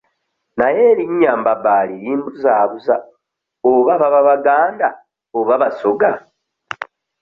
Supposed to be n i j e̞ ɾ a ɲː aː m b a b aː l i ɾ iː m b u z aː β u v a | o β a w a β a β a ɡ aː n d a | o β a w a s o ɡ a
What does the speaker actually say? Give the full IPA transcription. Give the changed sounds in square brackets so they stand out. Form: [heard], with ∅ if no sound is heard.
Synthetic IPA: n [a] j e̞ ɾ [i] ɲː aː m b a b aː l i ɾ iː m b u z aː β u [z] a | o β a [β] a β a β a ɡ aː n d a | o β a [β] a s o ɡ a